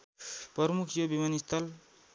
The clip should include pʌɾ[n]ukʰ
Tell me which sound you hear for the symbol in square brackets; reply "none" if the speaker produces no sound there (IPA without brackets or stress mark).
m